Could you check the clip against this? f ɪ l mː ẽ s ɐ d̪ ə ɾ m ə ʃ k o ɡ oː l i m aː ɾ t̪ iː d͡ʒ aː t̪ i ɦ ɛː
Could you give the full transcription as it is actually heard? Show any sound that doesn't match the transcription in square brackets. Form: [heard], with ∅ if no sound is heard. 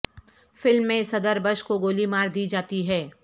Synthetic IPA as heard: f ɪ l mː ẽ s ɐ d̪ ə ɾ [b] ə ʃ k o ɡ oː l i m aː ɾ [d̪] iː d͡ʒ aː t̪ i ɦ ɛː